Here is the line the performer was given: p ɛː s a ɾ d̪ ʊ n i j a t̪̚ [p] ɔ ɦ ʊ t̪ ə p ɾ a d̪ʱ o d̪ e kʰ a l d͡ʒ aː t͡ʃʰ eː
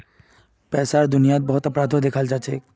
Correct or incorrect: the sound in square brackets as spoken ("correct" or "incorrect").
incorrect